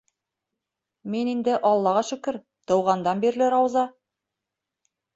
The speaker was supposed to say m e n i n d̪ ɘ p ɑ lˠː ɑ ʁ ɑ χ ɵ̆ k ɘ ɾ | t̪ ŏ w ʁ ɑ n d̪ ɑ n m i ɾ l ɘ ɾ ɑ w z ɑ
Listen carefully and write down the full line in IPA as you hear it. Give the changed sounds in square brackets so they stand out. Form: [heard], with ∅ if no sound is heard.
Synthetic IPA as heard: m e n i n d̪ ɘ [ʔ] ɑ lˠː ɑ ʁ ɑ [ʃ] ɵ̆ k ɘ ɾ | t̪ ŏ w ʁ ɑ n d̪ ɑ n [b] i ɾ l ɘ ɾ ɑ w z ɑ